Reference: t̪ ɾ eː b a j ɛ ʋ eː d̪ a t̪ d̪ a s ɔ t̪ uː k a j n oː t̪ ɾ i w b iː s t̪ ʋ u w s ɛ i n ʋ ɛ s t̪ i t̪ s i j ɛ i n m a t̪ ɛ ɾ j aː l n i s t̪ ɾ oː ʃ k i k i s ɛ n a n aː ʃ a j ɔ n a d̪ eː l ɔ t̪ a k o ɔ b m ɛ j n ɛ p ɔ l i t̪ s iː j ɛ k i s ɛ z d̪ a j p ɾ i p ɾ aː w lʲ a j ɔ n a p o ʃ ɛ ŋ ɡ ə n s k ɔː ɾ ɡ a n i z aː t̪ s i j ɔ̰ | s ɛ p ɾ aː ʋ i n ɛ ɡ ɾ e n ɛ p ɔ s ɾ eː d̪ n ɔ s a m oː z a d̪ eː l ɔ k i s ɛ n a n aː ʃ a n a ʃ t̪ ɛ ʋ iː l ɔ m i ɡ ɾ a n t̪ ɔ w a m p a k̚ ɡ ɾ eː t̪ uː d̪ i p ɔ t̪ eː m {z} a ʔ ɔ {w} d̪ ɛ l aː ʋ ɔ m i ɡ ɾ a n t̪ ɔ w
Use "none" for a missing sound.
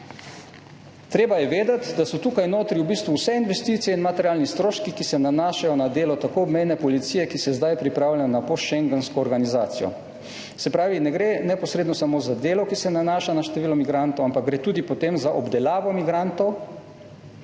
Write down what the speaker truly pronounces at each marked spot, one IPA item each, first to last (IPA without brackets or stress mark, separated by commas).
z, b